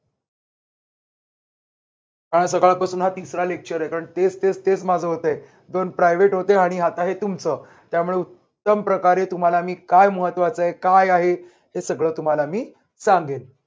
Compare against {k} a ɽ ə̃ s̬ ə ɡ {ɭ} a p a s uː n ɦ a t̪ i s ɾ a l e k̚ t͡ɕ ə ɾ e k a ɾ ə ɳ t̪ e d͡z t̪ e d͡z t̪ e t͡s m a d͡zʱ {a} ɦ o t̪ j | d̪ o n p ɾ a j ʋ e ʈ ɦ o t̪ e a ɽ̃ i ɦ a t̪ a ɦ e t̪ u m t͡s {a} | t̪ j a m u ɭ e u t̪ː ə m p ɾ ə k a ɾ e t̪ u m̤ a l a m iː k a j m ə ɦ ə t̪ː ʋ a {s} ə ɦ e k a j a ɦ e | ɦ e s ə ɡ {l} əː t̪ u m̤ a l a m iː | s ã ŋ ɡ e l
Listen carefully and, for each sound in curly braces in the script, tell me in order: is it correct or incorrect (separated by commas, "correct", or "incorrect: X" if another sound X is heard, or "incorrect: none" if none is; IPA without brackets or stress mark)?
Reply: correct, correct, incorrect: ə, incorrect: ə, incorrect: t͡s, incorrect: ɭ